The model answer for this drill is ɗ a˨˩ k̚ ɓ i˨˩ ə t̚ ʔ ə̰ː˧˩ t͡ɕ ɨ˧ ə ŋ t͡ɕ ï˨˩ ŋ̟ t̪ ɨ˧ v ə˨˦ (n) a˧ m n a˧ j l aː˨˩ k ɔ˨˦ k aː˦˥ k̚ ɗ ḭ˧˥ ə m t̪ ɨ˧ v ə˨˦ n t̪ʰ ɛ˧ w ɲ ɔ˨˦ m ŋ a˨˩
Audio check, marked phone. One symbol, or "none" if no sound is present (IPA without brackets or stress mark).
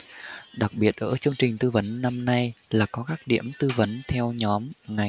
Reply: nː